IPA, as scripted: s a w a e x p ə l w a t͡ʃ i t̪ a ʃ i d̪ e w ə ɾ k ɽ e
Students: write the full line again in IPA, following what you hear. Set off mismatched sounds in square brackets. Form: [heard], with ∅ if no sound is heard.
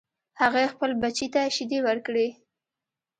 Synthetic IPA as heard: [h] a [ɣ] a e x p ə l [b] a t͡ʃ i t̪ a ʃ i d̪ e w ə ɾ k ɽ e